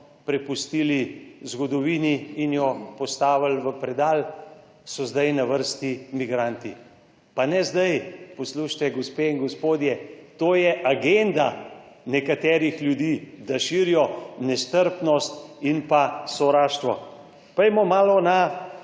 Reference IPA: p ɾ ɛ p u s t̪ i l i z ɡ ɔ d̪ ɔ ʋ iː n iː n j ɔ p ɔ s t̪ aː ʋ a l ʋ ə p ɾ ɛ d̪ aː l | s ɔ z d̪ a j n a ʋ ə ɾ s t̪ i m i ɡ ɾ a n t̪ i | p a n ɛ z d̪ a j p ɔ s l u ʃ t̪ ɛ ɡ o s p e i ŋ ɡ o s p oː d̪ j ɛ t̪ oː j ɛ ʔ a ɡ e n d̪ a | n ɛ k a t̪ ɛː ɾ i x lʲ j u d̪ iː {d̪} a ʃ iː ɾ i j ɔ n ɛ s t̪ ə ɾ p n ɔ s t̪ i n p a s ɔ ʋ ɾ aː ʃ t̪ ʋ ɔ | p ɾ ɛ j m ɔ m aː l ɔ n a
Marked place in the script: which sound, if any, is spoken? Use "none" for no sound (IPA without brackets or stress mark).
d̪